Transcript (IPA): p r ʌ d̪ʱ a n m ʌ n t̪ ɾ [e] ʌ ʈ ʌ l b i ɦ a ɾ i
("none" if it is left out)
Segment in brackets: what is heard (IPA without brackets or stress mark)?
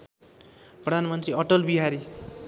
i